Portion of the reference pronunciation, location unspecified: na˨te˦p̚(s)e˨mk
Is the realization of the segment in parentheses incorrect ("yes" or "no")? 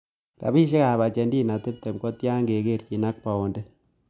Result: yes